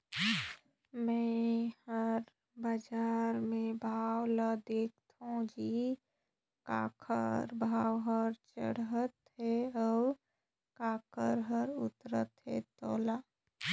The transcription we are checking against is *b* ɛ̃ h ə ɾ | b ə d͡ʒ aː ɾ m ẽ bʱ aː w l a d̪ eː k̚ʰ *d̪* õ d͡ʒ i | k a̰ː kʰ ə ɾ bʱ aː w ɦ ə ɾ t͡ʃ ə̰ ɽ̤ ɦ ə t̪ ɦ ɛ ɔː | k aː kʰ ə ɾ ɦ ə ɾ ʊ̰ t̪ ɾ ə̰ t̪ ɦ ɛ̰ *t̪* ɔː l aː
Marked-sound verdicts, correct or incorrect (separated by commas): incorrect, incorrect, correct